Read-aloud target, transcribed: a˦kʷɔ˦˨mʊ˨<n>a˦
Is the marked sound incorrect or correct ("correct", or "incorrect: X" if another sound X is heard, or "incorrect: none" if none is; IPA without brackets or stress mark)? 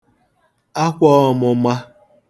incorrect: m